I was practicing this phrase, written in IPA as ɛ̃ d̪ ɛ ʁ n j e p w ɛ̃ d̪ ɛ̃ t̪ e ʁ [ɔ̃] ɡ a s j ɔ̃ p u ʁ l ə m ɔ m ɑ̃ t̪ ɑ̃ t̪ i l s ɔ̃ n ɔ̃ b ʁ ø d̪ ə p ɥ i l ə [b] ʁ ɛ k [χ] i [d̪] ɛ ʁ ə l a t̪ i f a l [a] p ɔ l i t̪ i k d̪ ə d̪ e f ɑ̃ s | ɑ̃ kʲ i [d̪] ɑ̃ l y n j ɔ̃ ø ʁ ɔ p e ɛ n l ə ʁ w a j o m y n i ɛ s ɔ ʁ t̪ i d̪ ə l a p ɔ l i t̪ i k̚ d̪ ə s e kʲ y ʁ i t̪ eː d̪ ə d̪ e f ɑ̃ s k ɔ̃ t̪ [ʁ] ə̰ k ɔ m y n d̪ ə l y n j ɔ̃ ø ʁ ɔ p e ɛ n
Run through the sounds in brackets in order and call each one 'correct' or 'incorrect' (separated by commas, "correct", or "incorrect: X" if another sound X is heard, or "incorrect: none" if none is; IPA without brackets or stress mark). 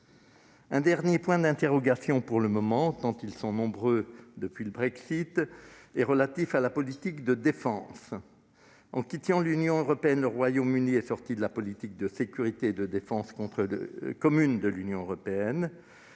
incorrect: ɔ, correct, incorrect: s, incorrect: t̪, correct, incorrect: t̪, incorrect: χ